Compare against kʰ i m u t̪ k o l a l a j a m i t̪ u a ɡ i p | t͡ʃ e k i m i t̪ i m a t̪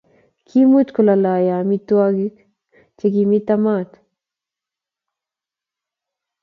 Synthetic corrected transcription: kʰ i m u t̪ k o l a l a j a m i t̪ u a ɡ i k | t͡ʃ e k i m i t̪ a m a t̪